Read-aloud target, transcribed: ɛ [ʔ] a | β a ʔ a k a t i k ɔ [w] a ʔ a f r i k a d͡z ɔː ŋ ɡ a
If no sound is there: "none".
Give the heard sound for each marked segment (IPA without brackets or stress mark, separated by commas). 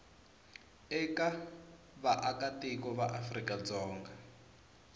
k, β